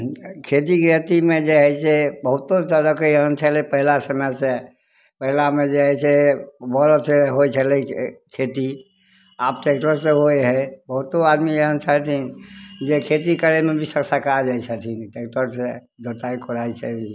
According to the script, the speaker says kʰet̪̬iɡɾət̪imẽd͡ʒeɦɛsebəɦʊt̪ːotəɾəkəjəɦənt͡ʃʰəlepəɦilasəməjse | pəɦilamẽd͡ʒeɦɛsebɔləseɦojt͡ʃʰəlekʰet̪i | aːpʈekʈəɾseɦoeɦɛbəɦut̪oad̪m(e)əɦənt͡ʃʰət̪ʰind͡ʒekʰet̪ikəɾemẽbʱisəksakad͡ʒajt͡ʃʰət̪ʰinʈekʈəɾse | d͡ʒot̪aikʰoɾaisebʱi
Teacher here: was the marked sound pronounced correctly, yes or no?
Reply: no